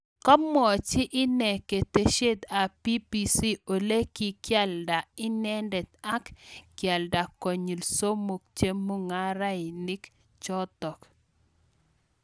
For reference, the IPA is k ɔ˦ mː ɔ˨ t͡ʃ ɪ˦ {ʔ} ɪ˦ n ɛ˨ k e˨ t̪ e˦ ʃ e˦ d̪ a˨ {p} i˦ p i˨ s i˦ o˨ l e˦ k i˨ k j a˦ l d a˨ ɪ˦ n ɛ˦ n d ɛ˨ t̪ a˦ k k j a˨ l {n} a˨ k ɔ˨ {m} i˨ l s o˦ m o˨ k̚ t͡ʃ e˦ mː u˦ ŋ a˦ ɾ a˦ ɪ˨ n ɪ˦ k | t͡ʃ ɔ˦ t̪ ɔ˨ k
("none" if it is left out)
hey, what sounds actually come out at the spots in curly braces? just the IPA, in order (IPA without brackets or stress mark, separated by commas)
ʔ, p, d, ɲ